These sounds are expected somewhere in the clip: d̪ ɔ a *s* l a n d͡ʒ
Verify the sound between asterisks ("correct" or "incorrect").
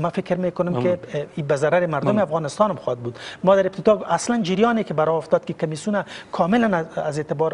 correct